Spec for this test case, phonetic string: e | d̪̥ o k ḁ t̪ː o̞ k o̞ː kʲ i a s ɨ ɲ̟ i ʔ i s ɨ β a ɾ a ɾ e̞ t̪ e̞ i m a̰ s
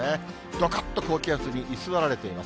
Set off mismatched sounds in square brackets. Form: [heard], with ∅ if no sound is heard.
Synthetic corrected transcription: e | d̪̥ o k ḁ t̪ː o̞ k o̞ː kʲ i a s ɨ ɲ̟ i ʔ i s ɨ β a ɾ a ɾ e̞ t̪ e̞ i m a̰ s